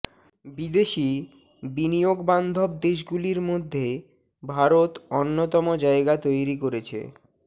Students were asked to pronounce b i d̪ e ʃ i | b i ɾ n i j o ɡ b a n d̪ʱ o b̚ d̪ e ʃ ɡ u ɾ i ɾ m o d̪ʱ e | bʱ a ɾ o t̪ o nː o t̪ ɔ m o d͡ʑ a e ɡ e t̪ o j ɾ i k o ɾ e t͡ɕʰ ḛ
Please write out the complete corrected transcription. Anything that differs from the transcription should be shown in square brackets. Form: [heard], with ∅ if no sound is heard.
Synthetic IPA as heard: b i d̪ e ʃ i | b i [∅] n i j o ɡ b a n d̪ʱ o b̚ d̪ e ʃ ɡ u [l] i ɾ m o [d̪ʱː] e | bʱ a ɾ o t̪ o nː o t̪ ɔ m o d͡ʑ a e ɡ [a] t̪ o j ɾ i k o ɾ e t͡ɕʰ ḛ